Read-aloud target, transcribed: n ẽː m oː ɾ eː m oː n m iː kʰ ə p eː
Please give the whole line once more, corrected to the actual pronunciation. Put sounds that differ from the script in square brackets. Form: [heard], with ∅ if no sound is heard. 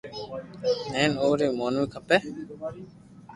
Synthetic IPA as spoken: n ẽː [n] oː ɾ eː m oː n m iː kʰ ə p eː